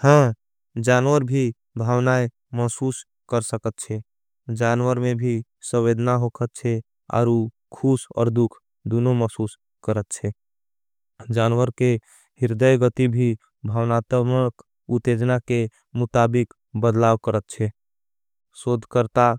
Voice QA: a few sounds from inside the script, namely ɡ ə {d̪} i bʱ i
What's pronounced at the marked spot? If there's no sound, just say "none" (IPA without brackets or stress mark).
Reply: t̪